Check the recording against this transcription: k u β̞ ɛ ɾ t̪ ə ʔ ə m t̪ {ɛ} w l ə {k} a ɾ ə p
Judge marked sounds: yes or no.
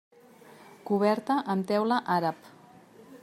yes, no

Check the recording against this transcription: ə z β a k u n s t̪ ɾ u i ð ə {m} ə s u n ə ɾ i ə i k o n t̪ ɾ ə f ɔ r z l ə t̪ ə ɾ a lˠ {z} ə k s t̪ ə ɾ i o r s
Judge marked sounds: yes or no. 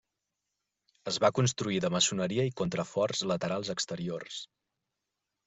yes, yes

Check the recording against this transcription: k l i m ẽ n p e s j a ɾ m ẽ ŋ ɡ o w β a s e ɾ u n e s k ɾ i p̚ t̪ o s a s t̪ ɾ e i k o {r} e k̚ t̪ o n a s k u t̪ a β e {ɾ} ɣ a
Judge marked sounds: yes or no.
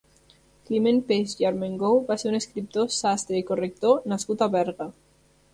yes, yes

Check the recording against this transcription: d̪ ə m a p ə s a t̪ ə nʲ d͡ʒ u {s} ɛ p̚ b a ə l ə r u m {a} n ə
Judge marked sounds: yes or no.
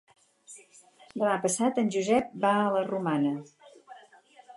no, yes

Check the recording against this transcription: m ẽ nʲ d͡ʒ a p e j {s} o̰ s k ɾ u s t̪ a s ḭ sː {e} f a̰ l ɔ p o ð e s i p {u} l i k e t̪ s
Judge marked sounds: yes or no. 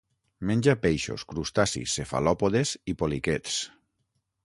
no, yes, no

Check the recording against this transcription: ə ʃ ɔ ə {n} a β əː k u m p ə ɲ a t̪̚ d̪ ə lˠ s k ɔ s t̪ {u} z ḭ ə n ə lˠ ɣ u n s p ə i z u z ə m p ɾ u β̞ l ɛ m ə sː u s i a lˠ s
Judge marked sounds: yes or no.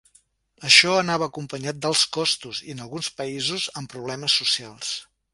yes, yes

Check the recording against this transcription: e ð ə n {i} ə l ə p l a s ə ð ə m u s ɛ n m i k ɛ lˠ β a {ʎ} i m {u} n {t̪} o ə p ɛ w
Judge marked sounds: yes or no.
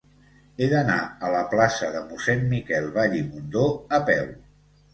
no, yes, yes, no

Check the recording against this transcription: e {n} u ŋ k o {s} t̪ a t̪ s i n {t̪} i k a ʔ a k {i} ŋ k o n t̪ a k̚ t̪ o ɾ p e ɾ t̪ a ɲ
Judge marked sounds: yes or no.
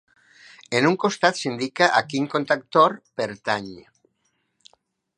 yes, yes, no, yes

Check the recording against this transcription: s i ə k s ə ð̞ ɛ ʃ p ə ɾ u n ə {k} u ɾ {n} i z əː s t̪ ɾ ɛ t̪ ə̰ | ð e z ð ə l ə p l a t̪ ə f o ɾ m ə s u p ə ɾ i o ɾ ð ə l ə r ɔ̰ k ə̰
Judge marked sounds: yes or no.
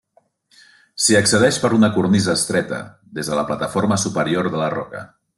yes, yes

